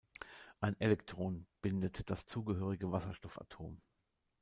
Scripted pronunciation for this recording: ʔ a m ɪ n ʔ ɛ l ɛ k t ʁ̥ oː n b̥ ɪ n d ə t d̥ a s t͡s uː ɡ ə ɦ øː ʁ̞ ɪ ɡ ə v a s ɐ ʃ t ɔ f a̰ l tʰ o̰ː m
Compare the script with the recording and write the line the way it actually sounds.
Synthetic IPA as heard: ʔ a ɪ n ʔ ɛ l ɛ k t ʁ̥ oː n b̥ ɪ n d ə t d̥ a s t͡s uː ɡ ə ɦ øː ʁ̞ ɪ ɡ ə v a s ɐ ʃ t ɔ f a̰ tʰ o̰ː m